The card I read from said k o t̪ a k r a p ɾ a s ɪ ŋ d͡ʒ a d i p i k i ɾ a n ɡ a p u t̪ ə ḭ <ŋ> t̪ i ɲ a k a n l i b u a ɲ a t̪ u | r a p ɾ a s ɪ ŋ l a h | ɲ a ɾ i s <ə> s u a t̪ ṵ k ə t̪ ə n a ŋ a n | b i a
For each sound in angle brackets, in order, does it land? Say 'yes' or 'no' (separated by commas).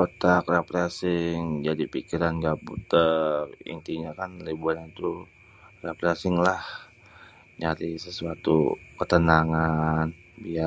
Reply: no, yes